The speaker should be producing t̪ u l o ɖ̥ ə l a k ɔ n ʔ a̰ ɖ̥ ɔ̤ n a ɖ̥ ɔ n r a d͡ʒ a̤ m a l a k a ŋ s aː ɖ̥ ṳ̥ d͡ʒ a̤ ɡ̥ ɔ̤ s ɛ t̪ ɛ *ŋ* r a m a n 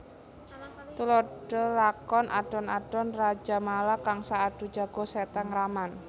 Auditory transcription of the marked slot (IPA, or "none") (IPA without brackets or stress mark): ŋ